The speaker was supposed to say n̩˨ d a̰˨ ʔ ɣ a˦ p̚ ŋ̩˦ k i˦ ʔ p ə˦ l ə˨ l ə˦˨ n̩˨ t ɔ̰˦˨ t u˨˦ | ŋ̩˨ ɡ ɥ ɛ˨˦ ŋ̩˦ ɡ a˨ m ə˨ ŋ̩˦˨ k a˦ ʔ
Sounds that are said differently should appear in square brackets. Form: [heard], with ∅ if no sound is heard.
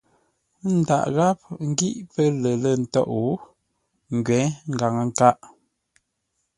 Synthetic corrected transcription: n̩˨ d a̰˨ ʔ ɣ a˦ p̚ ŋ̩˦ [ɡ] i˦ ʔ p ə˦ l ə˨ l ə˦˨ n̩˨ t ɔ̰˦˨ [ʔ] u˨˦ | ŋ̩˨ ɡ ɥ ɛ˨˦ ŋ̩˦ ɡ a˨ [ŋ] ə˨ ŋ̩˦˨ k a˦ ʔ

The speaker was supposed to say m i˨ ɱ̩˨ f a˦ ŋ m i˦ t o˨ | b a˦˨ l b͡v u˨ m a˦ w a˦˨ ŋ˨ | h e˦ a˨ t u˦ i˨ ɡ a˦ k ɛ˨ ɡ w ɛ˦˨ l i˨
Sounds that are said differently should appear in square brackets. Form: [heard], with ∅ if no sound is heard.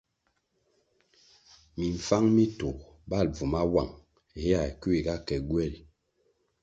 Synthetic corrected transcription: m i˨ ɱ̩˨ f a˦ ŋ m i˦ t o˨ | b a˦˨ l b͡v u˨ m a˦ w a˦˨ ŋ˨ | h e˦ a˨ [k] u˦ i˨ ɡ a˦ k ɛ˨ ɡ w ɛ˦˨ l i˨

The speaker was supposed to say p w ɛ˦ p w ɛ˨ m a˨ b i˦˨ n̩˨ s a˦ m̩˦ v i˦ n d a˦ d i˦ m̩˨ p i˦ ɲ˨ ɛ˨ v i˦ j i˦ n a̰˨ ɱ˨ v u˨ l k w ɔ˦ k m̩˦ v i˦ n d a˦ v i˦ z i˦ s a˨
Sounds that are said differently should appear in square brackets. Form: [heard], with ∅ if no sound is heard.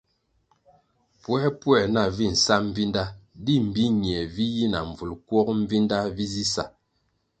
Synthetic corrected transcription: p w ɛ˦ p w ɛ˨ [n] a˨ [v] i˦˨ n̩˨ s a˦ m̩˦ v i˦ n d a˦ d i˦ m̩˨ [b] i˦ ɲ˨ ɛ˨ v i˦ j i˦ n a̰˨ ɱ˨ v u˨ l k w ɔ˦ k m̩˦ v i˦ n d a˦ v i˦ z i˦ s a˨

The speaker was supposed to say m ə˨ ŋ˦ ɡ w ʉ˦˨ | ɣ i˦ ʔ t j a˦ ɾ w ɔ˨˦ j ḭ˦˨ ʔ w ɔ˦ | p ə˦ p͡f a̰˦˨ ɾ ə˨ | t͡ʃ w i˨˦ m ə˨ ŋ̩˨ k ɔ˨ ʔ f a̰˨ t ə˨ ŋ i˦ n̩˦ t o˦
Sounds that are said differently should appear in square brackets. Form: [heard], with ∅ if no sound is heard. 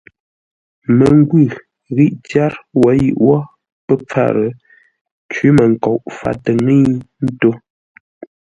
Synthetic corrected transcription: m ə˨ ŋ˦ ɡ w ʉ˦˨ | ɣ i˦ ʔ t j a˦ ɾ w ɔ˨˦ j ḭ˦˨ ʔ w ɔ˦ | p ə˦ p͡f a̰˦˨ ɾ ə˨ | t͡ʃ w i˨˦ m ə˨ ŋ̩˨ k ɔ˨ ʔ f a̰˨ t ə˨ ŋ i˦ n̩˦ t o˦

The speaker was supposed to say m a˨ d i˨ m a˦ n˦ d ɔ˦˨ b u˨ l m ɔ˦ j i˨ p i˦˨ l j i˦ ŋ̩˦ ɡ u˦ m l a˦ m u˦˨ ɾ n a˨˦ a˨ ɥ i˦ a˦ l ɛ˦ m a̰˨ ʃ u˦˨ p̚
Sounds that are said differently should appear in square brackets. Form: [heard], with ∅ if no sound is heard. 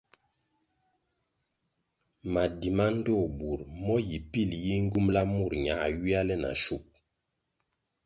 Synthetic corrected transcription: m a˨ d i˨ m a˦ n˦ d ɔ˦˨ b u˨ [ɾ] m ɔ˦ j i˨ p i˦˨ l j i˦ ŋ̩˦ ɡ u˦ m l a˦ m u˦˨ ɾ [ɲ] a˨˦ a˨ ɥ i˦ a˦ l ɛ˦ [n] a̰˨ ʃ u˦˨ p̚

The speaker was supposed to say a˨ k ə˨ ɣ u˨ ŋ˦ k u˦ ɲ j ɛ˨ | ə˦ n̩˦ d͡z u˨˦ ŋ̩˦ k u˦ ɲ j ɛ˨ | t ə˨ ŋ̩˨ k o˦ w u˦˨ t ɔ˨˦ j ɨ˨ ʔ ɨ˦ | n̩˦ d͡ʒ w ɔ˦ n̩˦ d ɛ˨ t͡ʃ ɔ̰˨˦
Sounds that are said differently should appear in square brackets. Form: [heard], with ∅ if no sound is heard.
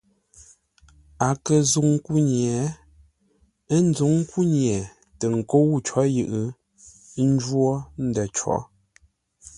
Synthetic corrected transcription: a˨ k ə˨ [z] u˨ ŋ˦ k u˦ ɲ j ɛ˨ | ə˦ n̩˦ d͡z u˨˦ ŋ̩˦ k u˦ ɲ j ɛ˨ | t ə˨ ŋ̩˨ k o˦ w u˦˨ [t͡ʃ] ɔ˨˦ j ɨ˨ ʔ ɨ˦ | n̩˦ d͡ʒ w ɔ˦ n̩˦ d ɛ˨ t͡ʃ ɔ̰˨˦

